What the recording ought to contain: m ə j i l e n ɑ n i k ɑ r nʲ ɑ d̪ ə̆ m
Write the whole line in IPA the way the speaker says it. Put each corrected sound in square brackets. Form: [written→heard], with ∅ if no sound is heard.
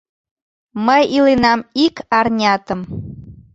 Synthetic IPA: m ə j i l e n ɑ [n→m] i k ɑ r nʲ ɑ [d̪→t̪] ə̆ m

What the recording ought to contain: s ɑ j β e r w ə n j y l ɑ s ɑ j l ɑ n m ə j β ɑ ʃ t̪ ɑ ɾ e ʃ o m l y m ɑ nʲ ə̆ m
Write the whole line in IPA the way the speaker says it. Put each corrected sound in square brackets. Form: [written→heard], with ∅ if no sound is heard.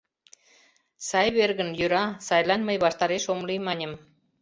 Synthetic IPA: s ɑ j β e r [w→ɣ] ə n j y [l→ɾ] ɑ s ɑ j l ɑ n m ə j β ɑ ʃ t̪ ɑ ɾ e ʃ o m l [y→i] m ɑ nʲ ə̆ m

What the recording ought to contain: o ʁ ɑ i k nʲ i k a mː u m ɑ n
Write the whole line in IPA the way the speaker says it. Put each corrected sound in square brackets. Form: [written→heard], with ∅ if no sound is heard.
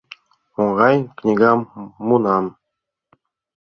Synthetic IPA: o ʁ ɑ [i→j] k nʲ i [k→ɡ] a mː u [m→n] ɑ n

